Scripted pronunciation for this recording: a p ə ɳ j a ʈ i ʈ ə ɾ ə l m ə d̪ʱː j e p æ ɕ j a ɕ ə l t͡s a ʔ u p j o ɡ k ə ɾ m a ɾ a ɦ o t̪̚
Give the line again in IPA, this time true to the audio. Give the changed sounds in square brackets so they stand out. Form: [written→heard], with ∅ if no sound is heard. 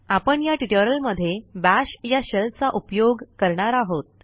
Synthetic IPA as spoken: a p ə ɳ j a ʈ i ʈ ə ɾ ə l m ə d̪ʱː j e [p→b] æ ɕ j a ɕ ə l t͡s a ʔ u p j o ɡ k ə ɾ [m→ɳ] a ɾ a ɦ o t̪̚